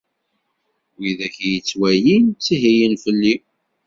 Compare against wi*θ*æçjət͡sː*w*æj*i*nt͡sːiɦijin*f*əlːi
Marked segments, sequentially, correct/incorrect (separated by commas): incorrect, correct, correct, correct